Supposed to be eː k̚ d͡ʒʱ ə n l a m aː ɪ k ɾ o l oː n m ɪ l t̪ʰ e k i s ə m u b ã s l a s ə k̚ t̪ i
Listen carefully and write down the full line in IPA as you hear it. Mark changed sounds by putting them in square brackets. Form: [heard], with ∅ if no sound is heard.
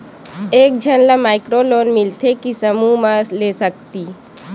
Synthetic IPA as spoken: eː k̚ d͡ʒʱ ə n l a m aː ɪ k ɾ o l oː n m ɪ l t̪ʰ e k i s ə m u [m] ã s l [e] s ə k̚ t̪ i

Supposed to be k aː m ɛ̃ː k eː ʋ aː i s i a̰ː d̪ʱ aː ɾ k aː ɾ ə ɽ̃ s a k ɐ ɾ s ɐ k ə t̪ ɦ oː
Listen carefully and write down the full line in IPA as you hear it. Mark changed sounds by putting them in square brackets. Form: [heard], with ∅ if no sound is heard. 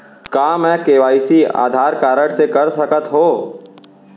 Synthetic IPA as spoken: k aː m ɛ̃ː k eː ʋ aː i s i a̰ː d̪ʱ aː ɾ k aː ɾ ə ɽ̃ s [e] k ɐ ɾ s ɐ k ə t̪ ɦ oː

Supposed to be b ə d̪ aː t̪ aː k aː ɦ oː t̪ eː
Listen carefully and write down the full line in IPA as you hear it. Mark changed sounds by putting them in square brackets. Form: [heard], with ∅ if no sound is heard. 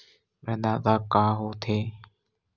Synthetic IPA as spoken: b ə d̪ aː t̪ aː k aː ɦ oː [t̪ʰ] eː

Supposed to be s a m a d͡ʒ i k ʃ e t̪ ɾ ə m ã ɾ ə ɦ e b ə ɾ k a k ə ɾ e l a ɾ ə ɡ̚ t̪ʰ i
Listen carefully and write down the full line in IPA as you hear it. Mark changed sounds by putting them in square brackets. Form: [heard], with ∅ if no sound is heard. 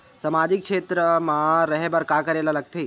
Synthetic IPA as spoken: s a m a d͡ʒ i k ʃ e t̪ ɾ ə m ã ɾ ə ɦ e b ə ɾ k a k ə ɾ e l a [l] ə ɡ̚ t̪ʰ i

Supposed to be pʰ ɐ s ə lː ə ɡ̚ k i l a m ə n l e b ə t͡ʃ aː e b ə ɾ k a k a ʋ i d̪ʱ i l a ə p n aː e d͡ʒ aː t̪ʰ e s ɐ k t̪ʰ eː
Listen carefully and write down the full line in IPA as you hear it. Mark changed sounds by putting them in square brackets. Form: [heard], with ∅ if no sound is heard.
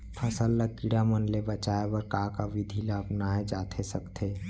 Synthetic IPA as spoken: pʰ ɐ s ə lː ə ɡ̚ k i [ɽ] a m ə n l e b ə t͡ʃ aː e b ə ɾ k a k a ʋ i d̪ʱ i l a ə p n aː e d͡ʒ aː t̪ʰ e s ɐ k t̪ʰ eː

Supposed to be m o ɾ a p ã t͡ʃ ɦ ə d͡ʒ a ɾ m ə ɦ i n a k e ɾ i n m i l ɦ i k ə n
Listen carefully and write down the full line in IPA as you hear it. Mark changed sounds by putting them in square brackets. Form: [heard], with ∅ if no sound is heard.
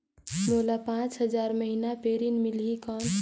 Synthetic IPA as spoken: m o [l] a p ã t͡ʃ ɦ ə d͡ʒ a ɾ m ə ɦ i n a [p] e ɾ i n m i l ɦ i k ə n

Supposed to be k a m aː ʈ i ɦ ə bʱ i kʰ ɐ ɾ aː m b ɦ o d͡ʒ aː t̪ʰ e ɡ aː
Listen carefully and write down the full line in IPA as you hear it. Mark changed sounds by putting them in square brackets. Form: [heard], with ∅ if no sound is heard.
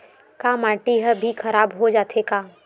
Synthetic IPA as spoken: k a m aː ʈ i ɦ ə bʱ i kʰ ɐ ɾ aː [∅] b ɦ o d͡ʒ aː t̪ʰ e [k] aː

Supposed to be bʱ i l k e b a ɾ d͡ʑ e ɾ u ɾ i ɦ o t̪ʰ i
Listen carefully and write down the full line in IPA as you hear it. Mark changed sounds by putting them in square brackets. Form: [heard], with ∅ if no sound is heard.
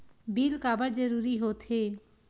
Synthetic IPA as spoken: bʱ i l k [a] b a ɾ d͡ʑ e ɾ u ɾ i ɦ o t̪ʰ [e]

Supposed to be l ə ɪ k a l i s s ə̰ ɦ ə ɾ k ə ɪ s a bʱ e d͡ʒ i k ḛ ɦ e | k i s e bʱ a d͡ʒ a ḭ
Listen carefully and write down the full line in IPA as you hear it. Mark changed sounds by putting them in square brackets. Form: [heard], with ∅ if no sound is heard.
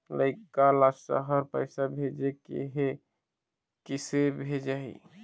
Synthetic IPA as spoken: l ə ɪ k a l [a] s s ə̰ ɦ ə ɾ [p] ə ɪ s a bʱ e d͡ʒ [e] k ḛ ɦ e | k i s e bʱ [e] d͡ʒ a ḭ

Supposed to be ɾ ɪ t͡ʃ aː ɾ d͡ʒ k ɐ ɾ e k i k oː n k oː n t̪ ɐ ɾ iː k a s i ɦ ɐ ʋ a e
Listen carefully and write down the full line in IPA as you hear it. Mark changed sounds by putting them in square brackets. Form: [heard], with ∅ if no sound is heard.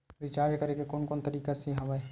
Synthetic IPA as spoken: ɾ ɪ t͡ʃ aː ɾ d͡ʒ k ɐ ɾ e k [e] k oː n k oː n t̪ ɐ ɾ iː k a s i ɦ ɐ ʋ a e

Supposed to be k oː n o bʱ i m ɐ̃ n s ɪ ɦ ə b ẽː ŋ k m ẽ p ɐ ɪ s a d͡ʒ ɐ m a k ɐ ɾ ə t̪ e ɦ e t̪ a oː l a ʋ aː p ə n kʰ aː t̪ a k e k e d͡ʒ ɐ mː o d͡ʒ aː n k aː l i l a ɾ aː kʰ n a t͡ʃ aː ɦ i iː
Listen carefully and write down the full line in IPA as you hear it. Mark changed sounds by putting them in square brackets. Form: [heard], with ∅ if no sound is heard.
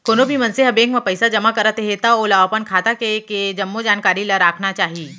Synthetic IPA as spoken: k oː n o bʱ i m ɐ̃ n s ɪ ɦ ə b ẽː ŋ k m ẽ p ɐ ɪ s a d͡ʒ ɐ m a k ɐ ɾ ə t̪ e ɦ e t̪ a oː l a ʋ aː p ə n kʰ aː t̪ a k e k e d͡ʒ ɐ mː o d͡ʒ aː n k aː [ɾ] i l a ɾ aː kʰ n a t͡ʃ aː ɦ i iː

